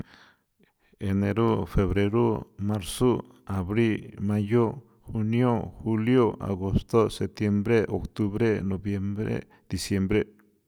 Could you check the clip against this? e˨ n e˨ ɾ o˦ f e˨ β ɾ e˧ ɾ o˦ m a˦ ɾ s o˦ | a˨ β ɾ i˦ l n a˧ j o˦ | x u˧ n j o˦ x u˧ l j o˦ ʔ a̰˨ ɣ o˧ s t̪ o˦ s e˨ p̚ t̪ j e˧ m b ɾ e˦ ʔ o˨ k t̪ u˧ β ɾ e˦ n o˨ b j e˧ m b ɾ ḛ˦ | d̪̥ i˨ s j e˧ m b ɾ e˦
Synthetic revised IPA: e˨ n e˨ ɾ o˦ f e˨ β ɾ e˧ ɾ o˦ m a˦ ɾ s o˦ | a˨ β ɾ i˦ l m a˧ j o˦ | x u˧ n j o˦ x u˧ l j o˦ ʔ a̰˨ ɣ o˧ s t̪ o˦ s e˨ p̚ t̪ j e˧ m b ɾ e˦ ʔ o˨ k t̪ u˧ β ɾ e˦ n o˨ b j e˧ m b ɾ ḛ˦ | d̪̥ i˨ s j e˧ m b ɾ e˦